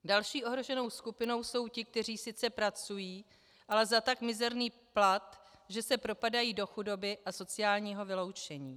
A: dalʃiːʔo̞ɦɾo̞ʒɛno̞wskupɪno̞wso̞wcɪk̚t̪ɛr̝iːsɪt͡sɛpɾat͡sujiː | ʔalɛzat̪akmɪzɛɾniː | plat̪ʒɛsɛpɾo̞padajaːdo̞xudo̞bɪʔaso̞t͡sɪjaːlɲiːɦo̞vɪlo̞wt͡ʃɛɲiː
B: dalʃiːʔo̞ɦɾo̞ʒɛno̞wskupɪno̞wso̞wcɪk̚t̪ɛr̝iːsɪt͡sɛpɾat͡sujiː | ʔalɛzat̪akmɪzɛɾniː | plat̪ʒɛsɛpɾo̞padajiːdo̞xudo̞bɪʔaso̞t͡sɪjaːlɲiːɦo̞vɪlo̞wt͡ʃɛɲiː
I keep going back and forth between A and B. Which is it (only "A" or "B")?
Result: B